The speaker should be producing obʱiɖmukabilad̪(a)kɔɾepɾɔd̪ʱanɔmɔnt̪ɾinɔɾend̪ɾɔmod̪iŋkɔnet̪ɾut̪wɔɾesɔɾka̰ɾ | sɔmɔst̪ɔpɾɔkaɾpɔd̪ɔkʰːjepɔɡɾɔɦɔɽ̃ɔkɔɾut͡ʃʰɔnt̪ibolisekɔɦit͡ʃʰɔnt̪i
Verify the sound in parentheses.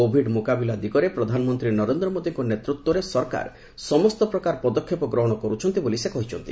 incorrect: i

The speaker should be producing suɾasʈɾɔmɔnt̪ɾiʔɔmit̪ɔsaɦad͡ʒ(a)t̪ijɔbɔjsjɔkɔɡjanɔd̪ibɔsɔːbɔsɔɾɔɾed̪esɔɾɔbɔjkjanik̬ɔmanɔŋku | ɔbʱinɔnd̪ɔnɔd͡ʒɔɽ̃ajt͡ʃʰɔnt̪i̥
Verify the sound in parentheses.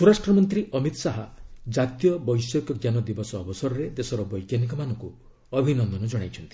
correct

